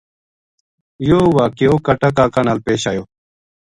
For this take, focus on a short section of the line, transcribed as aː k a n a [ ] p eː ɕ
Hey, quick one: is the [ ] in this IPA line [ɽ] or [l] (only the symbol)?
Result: l